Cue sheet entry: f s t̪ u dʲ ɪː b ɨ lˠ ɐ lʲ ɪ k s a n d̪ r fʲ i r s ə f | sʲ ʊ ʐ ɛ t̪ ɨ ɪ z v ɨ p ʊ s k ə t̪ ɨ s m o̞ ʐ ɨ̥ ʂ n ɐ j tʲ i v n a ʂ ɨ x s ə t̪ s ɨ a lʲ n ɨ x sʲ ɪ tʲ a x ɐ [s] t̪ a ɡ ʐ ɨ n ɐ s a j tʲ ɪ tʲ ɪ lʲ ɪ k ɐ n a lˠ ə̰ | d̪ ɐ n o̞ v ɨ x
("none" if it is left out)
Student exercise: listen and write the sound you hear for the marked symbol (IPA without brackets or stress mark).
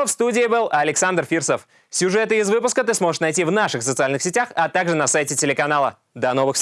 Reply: none